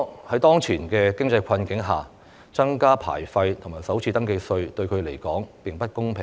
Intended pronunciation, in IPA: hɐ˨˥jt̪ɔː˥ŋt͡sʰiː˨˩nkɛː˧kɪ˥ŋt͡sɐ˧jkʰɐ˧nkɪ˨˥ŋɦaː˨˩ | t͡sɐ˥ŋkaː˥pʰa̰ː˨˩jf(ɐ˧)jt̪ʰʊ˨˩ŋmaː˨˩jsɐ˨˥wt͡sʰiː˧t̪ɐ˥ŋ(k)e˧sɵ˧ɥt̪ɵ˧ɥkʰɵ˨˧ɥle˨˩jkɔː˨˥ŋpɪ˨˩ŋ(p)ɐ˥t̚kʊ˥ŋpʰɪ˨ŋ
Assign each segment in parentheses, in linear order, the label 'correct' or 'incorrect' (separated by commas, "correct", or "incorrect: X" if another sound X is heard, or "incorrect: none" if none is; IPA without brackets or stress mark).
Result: correct, correct, correct